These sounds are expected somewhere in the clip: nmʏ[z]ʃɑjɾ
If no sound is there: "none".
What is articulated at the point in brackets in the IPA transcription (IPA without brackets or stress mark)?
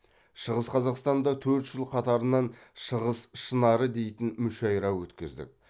none